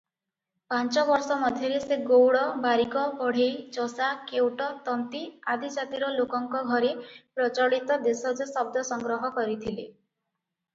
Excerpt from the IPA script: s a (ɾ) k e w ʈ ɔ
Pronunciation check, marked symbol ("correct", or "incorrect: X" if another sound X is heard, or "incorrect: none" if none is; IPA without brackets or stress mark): incorrect: none